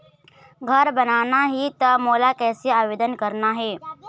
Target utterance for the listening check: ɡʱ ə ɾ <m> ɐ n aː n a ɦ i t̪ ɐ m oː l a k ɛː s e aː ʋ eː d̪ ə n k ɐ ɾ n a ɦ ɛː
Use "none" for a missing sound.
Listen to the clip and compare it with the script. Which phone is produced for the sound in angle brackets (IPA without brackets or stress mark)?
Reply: b